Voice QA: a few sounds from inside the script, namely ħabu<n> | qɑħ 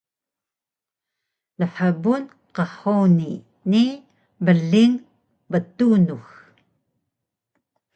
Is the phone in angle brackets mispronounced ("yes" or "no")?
no